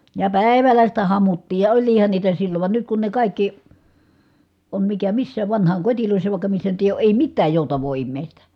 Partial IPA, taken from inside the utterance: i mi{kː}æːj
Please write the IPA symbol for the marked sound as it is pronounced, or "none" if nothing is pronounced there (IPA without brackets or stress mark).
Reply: tː